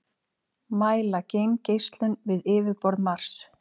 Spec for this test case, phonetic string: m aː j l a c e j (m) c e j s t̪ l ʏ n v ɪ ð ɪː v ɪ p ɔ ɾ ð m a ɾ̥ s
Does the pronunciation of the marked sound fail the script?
no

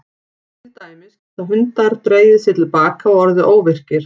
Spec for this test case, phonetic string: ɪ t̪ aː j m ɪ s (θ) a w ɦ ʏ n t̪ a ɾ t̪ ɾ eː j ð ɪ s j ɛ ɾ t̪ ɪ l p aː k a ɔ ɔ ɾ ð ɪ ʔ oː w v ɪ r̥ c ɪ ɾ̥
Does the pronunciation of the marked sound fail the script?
no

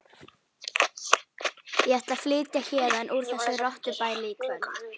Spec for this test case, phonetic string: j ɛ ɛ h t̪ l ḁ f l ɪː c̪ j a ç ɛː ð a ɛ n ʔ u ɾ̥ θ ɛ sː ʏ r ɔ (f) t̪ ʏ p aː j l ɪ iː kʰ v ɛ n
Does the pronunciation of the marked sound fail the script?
yes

